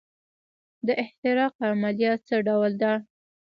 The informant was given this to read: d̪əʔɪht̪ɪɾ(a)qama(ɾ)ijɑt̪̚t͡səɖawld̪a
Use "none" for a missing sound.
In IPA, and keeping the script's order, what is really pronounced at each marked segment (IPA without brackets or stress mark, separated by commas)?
ɑ, l